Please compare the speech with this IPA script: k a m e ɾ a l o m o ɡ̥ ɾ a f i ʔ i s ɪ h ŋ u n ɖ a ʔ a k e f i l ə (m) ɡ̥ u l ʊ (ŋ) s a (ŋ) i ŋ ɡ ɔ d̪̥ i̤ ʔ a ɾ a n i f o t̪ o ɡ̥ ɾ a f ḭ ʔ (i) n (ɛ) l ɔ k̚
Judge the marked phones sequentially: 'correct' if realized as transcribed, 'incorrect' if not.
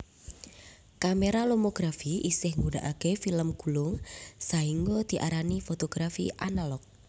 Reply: correct, correct, incorrect: none, incorrect: a, incorrect: a

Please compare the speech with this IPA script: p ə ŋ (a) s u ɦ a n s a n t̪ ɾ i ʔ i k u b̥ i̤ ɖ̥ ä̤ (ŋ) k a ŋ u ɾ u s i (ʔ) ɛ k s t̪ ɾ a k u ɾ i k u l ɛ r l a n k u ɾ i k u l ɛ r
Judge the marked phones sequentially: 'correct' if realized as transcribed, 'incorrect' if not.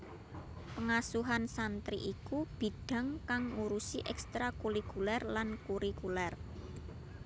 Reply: correct, correct, correct

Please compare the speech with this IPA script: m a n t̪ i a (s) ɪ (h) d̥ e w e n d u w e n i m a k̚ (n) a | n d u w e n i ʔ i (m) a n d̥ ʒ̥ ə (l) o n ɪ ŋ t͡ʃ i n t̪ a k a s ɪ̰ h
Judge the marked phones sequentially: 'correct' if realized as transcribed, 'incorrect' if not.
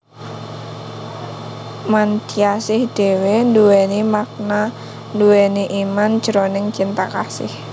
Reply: correct, correct, correct, correct, incorrect: ɾ

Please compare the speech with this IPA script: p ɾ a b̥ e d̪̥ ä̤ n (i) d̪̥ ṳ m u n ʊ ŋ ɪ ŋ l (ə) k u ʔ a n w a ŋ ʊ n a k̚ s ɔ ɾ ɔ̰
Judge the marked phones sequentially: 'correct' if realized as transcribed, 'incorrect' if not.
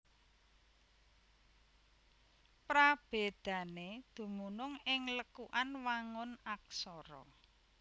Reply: incorrect: e, correct

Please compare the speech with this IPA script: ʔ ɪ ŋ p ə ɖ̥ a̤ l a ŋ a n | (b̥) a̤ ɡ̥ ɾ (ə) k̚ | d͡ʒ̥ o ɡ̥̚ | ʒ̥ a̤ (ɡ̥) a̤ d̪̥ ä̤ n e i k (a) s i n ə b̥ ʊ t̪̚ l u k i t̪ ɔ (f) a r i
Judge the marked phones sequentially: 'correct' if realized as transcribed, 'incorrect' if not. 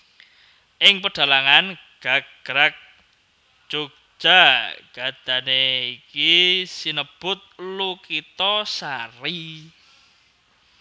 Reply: incorrect: ɡ̥, incorrect: a, correct, incorrect: i, incorrect: s

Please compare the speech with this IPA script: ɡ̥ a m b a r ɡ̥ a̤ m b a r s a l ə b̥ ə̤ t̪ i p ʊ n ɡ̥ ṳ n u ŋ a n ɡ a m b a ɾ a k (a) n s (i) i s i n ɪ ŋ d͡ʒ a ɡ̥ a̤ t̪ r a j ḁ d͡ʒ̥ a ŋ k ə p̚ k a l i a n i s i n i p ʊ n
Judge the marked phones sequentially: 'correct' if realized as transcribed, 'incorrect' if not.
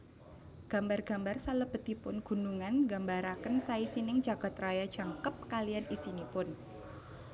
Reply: incorrect: ə, incorrect: a

